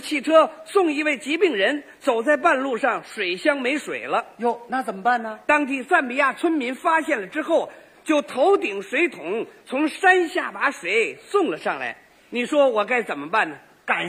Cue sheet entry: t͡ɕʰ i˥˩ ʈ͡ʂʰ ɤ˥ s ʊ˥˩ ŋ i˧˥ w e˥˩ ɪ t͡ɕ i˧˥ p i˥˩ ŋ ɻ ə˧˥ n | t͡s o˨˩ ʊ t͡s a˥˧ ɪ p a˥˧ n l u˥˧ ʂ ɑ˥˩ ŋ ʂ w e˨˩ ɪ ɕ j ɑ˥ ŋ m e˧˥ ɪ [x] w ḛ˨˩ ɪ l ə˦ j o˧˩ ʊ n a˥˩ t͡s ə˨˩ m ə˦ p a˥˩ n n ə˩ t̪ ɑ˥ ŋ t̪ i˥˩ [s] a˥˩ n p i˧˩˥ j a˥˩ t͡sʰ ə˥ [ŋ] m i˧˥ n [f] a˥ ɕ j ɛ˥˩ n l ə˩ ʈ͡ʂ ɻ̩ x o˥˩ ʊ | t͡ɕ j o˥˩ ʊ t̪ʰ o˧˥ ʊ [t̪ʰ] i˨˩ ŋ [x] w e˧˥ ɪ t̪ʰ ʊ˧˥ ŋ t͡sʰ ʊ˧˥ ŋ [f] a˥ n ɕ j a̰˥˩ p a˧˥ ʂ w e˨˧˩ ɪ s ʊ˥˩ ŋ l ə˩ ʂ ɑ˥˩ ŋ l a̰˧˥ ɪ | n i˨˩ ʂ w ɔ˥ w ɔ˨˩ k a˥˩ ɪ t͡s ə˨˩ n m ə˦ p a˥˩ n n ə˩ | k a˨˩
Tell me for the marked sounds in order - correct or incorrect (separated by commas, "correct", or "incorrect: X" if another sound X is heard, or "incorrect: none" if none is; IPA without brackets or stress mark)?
incorrect: ʂ, correct, incorrect: n, correct, incorrect: t̪, incorrect: ʂ, incorrect: ʂ